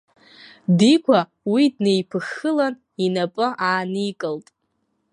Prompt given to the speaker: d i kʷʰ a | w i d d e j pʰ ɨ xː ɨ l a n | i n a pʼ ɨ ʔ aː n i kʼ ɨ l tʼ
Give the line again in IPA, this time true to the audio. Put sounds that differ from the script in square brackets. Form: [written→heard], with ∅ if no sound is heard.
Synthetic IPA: d i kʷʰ a | w i d [d→n] e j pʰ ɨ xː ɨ l a n | i n a pʼ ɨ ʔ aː n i kʼ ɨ l tʼ